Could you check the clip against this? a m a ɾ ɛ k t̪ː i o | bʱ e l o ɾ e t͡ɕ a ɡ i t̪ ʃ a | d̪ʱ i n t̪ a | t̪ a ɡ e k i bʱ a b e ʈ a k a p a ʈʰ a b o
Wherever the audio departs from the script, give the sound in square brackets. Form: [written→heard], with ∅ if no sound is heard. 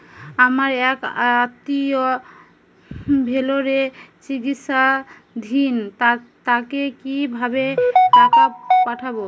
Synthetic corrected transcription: a m a ɾ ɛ k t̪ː i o | bʱ e l o ɾ e t͡ɕ [a→i] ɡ i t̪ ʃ a | d̪ʱ i n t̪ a | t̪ a [ɡ→k] e k i bʱ a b e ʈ a k a p a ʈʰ a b o